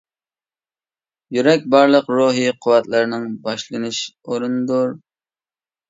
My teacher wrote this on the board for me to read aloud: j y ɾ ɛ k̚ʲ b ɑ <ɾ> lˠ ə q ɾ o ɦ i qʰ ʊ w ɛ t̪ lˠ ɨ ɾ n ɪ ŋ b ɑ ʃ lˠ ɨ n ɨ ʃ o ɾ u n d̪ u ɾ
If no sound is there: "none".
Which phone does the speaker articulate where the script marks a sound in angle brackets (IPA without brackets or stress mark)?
ɾ